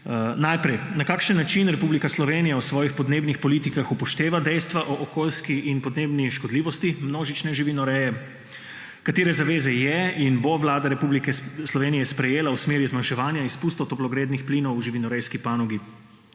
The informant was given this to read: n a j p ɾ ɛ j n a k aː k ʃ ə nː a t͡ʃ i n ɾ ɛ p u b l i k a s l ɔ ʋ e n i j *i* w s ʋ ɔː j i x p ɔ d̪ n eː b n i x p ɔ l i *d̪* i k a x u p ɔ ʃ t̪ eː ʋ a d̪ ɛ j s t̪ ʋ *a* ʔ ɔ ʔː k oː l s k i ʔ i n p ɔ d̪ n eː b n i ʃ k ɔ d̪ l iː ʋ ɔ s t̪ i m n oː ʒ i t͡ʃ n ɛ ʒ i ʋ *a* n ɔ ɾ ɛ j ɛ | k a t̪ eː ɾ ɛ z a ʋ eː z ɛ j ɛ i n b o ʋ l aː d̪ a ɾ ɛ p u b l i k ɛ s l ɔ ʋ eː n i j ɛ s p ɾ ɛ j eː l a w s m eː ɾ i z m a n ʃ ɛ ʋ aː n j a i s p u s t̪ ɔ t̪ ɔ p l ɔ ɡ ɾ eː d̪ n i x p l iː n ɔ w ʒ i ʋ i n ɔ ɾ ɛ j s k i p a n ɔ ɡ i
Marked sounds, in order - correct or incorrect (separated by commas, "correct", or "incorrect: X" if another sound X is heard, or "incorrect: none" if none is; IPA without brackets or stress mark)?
incorrect: a, incorrect: t̪, correct, incorrect: i